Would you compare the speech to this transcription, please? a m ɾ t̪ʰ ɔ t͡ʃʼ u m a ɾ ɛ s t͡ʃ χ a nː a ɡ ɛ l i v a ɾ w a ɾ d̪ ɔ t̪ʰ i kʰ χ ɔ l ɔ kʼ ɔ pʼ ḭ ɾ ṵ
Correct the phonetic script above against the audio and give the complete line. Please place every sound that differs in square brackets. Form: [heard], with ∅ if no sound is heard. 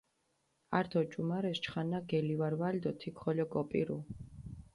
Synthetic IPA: a [∅] ɾ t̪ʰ ɔ t͡ʃʼ u m a ɾ ɛ s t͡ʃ χ a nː a ɡ ɛ l i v a ɾ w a [l] d̪ ɔ t̪ʰ i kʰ χ ɔ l ɔ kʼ ɔ pʼ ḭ ɾ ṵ